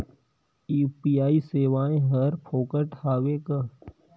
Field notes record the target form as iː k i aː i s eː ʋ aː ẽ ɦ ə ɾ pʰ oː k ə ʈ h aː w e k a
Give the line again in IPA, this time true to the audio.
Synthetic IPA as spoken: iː p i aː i s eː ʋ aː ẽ ɦ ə ɾ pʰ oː k ə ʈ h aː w e k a